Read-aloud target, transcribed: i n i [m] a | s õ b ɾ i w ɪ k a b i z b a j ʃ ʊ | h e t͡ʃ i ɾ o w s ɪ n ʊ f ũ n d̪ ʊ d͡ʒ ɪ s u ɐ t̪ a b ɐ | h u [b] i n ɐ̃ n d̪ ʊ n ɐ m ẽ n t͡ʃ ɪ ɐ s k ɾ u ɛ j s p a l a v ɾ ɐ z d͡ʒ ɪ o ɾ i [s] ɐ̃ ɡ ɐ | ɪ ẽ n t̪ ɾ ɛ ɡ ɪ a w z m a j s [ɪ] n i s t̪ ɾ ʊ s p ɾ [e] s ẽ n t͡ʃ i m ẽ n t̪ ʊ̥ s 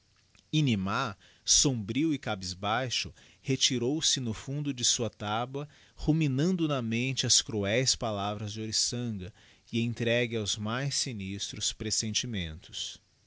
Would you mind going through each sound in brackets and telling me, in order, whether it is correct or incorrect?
correct, incorrect, correct, incorrect, correct

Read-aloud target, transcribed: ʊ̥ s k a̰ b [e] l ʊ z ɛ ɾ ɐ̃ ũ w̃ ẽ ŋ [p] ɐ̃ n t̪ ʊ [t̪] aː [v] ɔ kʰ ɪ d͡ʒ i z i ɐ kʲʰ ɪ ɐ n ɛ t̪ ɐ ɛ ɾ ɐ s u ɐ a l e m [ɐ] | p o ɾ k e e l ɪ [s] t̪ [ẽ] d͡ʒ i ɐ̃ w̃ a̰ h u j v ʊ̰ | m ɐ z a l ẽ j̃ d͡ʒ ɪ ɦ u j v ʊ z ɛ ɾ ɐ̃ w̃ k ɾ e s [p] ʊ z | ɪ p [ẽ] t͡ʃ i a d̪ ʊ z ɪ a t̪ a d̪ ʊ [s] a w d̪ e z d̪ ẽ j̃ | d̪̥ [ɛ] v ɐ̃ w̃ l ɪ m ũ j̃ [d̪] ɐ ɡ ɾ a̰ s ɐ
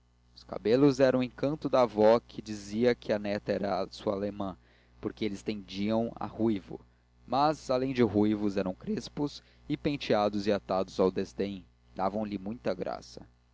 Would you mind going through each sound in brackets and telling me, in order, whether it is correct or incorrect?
correct, incorrect, incorrect, correct, incorrect, correct, correct, correct, correct, incorrect, incorrect, incorrect

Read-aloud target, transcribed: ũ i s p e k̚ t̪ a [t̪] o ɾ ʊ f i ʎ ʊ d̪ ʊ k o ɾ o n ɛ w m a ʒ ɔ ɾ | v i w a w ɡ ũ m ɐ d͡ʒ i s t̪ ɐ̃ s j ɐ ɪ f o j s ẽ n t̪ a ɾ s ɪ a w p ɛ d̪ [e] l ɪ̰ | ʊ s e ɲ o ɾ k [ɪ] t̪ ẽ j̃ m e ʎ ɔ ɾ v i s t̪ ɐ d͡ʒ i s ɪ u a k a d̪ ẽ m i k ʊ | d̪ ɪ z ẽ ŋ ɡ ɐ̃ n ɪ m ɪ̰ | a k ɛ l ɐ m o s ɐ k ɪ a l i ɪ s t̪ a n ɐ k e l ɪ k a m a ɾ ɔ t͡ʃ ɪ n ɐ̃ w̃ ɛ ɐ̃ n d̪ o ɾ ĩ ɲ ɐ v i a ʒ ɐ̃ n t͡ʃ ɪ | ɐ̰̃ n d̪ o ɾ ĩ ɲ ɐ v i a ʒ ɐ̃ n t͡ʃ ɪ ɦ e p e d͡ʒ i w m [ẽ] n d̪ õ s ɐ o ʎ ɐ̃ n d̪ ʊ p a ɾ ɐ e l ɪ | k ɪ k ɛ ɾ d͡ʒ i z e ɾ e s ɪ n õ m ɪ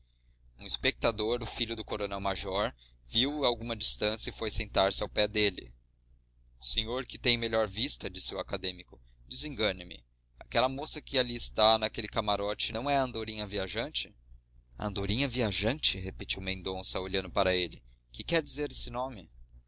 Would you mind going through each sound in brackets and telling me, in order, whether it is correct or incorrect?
incorrect, correct, correct, correct

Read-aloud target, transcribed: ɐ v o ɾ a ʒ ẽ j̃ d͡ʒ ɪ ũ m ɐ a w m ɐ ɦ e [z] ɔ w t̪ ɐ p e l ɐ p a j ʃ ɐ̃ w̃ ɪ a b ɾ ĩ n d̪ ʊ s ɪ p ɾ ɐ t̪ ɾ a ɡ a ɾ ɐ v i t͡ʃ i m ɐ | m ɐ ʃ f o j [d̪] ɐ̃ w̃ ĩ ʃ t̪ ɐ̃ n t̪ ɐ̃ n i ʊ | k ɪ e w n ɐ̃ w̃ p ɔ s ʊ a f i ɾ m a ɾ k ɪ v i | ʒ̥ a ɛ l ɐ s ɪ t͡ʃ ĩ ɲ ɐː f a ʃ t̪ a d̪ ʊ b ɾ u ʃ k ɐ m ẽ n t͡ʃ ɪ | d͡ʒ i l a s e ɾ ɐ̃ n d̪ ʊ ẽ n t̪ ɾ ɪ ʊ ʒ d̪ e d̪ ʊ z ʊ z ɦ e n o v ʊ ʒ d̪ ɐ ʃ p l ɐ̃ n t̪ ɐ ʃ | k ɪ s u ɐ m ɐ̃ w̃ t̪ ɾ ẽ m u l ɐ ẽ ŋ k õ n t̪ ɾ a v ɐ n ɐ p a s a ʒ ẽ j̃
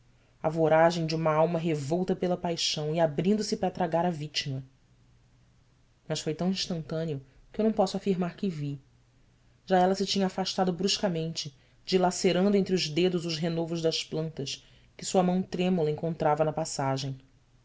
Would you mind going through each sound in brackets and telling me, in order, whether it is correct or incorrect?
incorrect, incorrect

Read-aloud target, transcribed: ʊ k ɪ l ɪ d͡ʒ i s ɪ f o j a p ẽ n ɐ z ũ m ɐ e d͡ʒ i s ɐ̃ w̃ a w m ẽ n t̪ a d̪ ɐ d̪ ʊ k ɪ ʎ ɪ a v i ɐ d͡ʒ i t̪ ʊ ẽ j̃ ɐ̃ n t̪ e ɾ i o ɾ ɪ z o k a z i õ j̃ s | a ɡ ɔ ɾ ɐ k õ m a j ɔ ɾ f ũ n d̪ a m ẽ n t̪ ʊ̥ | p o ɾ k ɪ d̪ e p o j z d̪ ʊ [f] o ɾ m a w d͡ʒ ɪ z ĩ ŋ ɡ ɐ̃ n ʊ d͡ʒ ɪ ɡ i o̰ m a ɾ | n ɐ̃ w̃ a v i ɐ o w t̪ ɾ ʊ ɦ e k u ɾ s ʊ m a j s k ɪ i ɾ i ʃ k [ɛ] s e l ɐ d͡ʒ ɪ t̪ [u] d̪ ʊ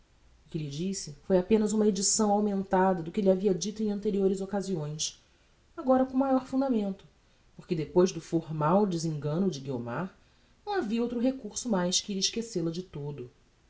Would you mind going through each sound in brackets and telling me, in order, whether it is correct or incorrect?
correct, incorrect, incorrect

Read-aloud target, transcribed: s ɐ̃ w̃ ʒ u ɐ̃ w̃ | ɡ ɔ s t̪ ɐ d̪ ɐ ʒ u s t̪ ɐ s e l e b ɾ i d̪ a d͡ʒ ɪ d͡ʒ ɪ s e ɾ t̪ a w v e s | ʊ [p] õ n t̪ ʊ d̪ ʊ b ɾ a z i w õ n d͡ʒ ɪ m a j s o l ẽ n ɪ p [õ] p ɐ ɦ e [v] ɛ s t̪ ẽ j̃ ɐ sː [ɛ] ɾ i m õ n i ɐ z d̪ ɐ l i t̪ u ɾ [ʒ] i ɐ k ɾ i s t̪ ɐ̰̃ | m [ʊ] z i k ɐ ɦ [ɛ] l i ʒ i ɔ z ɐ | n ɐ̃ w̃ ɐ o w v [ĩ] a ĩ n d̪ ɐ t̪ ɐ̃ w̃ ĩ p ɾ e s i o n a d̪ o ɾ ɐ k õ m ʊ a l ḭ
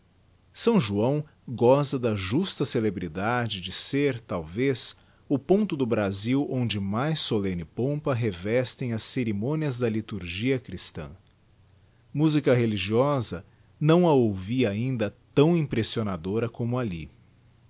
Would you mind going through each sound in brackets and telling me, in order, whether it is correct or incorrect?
correct, correct, correct, incorrect, correct, incorrect, incorrect, incorrect

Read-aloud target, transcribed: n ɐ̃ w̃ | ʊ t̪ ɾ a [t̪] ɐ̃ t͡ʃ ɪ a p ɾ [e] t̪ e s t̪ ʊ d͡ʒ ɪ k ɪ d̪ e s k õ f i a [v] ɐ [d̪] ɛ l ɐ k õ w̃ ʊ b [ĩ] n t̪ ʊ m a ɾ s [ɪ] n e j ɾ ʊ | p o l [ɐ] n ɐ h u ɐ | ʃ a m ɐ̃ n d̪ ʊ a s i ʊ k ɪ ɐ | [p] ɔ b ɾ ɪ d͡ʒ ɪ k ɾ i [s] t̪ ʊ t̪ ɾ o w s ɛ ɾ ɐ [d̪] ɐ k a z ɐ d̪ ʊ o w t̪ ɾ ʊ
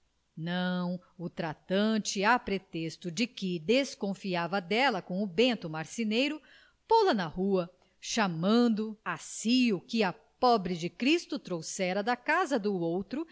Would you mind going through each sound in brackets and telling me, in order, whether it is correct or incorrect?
correct, correct, correct, correct, incorrect, incorrect, correct, correct, correct, correct

